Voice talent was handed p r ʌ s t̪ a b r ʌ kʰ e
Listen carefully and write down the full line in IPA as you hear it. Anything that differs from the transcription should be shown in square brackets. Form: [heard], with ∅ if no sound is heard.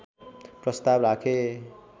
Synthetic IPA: p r ʌ s t̪ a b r [a] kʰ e